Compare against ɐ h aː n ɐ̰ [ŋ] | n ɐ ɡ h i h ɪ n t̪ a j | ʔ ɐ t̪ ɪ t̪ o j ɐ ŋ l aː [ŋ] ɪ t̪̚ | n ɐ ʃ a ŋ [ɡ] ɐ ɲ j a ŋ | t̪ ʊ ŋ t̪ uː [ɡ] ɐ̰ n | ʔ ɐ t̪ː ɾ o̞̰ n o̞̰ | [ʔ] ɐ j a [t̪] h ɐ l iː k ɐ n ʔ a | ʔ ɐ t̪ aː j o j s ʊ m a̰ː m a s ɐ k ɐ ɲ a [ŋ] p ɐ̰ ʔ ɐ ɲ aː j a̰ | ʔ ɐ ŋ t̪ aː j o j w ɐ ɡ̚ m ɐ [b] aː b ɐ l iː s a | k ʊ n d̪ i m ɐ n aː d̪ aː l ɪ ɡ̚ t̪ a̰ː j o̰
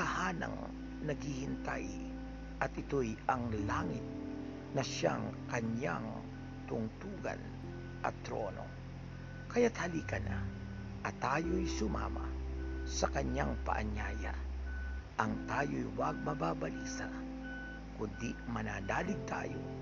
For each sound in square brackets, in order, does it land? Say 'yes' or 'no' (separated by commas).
yes, yes, no, yes, no, yes, yes, yes